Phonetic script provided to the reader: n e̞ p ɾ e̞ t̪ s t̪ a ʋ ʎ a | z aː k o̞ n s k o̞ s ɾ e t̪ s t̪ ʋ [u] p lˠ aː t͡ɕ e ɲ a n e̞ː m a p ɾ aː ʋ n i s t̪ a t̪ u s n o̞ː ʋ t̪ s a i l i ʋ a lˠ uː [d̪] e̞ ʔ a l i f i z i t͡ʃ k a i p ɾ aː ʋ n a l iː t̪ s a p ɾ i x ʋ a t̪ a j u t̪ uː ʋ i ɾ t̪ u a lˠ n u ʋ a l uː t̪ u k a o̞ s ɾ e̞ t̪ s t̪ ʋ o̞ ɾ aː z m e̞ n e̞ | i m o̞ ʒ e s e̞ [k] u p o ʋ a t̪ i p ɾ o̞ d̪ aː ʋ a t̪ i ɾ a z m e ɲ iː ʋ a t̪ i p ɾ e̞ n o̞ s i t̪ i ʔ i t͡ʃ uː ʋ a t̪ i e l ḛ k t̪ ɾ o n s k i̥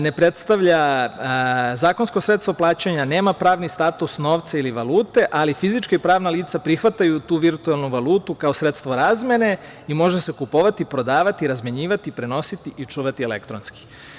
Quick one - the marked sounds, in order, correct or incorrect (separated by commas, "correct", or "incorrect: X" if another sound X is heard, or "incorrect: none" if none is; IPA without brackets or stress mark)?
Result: incorrect: o, incorrect: t̪, correct